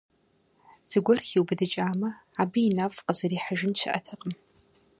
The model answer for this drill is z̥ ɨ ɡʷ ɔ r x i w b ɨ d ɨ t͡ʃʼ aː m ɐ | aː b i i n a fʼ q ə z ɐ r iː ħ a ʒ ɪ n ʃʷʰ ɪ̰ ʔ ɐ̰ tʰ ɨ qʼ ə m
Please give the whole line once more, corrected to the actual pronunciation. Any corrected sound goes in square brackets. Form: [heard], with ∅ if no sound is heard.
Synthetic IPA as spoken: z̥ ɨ ɡʷ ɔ r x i w b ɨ d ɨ t͡ʃʼ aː m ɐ | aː b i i n a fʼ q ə z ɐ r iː ħ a ʒ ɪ n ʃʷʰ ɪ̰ ʔ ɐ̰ tʰ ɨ qʼ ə m

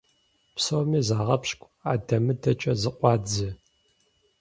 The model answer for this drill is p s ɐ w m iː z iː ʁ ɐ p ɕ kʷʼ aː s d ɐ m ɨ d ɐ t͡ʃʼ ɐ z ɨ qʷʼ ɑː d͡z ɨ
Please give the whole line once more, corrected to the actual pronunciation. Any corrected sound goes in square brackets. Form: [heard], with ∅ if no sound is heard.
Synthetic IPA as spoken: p s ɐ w m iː z [aː] ʁ ɐ p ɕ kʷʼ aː [∅] d ɐ m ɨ d ɐ t͡ʃʼ ɐ z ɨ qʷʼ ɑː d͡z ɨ

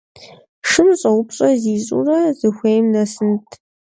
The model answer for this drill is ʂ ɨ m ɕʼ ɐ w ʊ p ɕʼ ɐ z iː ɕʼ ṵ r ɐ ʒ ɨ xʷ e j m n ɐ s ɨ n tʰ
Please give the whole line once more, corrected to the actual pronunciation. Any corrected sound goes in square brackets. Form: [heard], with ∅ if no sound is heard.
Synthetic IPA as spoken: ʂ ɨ m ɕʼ ɐ w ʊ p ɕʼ ɐ z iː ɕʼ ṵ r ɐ [z] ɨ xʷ e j m n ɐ s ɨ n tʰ

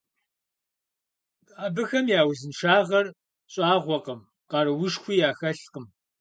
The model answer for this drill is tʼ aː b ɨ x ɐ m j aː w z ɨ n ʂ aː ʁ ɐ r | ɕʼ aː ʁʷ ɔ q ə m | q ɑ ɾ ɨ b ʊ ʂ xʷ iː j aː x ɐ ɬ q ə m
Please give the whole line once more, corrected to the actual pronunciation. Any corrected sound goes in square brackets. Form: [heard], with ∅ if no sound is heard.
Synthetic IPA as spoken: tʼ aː b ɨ x ɐ m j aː w z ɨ n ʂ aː ʁ ɐ r | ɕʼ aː ʁʷ ɔ q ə m | q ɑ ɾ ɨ [w] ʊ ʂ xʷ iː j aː x ɐ ɬ q ə m

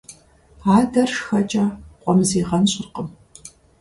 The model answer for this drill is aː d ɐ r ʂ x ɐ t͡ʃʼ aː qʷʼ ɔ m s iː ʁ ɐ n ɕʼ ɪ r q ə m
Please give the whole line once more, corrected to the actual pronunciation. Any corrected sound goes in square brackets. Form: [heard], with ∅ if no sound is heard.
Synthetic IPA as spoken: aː d ɐ r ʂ x ɐ t͡ʃʼ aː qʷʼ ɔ m [z] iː ʁ ɐ n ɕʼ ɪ r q ə m

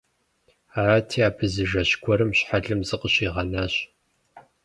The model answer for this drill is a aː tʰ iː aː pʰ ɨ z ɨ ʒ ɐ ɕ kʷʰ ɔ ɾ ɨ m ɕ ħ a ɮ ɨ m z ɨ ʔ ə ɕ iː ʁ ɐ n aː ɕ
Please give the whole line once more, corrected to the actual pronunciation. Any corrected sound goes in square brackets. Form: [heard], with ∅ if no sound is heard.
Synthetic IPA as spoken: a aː tʰ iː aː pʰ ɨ z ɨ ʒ ɐ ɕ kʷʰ ɔ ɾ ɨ m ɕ ħ a ɮ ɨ m z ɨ [q] ə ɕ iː ʁ ɐ n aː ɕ

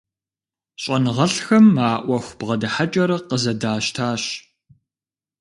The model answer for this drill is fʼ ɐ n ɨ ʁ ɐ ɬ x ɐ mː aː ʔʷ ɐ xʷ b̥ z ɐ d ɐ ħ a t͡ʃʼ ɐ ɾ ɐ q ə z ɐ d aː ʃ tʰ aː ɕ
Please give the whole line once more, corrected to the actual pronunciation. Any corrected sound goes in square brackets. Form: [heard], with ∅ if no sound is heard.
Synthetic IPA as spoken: [ɕʼ] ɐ n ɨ ʁ ɐ ɬ x ɐ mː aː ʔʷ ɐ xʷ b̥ [ʁ] ɐ d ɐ ħ a t͡ʃʼ ɐ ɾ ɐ q ə z ɐ d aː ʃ tʰ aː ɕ

